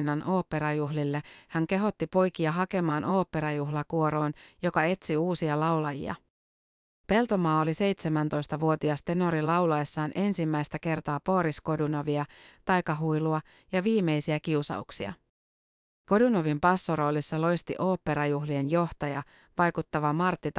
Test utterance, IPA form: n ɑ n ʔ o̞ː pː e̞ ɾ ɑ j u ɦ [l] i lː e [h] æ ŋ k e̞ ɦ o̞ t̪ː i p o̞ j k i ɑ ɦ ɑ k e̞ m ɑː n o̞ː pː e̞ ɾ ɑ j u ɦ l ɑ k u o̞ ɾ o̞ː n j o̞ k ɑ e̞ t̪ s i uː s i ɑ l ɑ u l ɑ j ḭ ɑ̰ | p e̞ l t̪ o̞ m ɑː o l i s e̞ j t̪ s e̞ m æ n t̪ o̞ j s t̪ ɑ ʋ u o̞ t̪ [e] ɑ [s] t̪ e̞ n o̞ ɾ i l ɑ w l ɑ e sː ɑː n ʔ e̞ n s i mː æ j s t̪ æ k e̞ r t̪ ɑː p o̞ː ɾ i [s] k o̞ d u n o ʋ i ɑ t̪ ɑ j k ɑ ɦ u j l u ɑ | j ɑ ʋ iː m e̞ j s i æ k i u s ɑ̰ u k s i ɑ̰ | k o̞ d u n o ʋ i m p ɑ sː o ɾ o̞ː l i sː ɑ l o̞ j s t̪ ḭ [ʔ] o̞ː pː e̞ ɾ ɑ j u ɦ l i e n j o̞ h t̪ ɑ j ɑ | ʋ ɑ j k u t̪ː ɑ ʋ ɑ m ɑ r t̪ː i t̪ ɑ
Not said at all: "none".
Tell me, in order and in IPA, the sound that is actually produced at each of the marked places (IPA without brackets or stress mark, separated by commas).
l, h, i, s, s, ʔ